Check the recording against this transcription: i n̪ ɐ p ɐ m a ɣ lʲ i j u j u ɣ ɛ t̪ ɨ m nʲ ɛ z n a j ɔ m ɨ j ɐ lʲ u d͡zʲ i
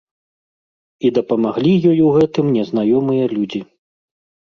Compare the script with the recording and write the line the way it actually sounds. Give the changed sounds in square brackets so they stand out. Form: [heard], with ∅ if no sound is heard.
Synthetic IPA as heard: i [d̪] ɐ p ɐ m a ɣ lʲ i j [ɔ] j u ɣ ɛ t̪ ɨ m nʲ ɛ z n a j ɔ m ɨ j ɐ lʲ u d͡zʲ i